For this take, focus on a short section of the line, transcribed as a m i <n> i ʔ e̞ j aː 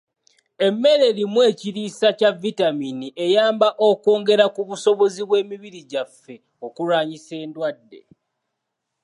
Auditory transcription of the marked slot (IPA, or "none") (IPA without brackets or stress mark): n